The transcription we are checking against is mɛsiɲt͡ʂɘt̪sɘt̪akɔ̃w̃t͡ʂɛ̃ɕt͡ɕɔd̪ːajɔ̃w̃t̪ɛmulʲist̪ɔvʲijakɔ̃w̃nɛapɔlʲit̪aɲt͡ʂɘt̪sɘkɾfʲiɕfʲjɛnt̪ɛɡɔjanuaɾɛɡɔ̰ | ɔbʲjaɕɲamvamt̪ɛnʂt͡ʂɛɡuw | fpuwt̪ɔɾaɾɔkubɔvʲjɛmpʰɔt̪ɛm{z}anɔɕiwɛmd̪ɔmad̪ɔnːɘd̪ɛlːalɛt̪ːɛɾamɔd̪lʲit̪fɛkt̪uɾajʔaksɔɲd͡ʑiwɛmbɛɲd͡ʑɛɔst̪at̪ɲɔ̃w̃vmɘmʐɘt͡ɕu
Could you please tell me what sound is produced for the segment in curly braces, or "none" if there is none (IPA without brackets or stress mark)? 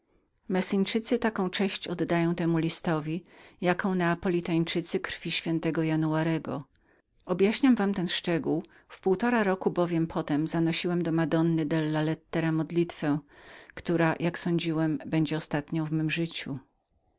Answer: z